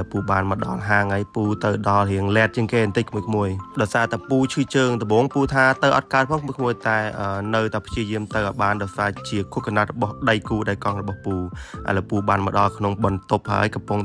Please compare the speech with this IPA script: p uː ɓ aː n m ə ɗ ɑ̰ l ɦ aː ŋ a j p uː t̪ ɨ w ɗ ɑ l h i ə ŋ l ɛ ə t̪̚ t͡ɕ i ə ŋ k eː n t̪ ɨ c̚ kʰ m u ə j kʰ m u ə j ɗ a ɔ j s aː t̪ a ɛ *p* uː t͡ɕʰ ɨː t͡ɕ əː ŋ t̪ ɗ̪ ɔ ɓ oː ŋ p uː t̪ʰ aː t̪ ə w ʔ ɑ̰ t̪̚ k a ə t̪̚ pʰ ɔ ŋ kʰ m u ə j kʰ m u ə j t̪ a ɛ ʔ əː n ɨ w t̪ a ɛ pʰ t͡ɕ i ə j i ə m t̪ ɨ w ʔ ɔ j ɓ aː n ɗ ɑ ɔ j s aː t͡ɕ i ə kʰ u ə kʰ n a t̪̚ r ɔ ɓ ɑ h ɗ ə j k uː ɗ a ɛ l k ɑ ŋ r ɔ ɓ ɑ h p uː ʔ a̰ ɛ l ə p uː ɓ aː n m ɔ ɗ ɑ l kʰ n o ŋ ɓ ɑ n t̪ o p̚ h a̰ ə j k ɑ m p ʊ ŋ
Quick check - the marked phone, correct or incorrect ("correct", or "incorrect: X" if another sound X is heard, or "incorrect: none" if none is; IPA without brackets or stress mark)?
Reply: correct